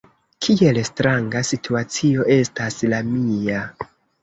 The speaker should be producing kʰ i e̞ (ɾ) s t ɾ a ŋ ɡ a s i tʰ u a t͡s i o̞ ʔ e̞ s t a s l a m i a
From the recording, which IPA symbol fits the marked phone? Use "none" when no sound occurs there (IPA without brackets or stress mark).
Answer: l